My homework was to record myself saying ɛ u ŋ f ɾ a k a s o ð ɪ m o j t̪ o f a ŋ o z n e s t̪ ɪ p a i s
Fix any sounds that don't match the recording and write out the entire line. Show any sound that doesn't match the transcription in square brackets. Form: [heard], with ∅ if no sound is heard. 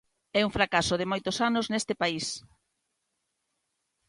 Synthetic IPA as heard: ɛ u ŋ f ɾ a k a s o ð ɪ m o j t̪ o [s] a [n] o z n e s t̪ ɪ p a i s